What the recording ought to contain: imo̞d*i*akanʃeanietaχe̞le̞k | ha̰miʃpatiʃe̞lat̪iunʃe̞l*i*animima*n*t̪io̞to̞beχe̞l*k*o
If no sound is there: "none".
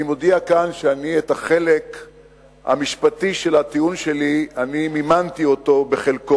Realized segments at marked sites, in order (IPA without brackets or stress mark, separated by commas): i, i, n, k